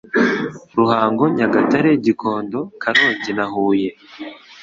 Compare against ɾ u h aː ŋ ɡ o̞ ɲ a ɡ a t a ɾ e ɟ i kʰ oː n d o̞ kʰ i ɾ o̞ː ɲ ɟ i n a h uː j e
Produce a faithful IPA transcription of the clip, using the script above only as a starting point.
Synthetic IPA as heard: ɾ u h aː ŋ ɡ o̞ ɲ a ɡ a t a ɾ e ɟ i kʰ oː n d o̞ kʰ a ɾ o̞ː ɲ ɟ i n a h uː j e